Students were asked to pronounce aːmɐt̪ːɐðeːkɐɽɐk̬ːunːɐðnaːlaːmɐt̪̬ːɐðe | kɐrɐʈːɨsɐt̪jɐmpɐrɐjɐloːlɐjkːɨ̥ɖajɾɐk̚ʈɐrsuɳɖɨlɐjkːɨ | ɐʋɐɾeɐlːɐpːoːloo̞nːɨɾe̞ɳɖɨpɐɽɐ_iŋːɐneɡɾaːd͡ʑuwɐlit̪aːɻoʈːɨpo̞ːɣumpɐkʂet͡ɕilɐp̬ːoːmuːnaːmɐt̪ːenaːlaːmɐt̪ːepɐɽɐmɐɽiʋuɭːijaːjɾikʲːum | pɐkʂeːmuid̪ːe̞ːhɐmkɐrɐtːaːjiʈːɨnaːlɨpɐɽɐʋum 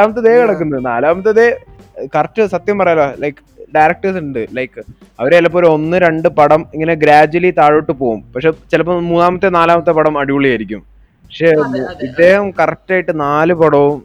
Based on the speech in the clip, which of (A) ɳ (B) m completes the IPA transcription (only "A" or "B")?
B